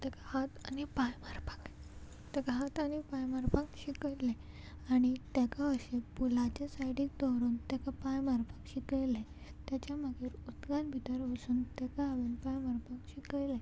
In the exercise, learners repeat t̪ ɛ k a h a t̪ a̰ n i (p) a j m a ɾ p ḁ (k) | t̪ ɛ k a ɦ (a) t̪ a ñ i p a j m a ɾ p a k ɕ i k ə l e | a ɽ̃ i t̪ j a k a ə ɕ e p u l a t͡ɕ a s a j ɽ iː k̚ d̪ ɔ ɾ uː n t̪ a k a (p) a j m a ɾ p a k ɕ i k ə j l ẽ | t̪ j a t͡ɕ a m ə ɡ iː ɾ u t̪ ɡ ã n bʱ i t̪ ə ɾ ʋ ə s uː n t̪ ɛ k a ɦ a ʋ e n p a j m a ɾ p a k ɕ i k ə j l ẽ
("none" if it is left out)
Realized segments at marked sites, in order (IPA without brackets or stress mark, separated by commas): p, k, a, p